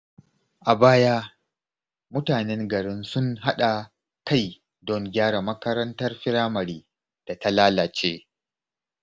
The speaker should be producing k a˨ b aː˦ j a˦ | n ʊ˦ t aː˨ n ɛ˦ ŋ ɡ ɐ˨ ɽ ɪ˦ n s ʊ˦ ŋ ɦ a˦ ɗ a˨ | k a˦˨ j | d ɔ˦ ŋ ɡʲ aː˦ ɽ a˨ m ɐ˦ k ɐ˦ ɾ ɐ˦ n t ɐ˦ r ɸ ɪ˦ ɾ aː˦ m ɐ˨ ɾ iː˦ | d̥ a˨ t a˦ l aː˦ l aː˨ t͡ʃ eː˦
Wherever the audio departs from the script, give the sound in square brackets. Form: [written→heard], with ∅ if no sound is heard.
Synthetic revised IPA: [k→ʔ] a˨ b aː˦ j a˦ | [n→m] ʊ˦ t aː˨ n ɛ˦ ŋ ɡ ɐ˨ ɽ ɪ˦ n s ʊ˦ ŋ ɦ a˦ ɗ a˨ | k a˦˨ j | d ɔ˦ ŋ ɡʲ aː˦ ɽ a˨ m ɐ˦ k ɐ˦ ɾ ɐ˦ n t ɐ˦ r ɸ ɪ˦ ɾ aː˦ m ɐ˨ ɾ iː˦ | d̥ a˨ t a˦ l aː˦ l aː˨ t͡ʃ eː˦